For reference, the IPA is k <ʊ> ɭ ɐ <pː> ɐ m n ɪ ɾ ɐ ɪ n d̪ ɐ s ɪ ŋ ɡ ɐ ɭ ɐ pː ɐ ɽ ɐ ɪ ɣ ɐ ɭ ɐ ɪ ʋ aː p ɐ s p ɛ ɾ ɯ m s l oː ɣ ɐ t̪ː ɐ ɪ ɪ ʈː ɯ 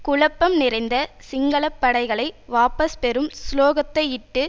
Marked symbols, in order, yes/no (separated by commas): yes, yes